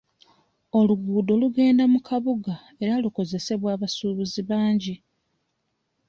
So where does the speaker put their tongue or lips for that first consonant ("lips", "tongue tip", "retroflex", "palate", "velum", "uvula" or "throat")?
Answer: tongue tip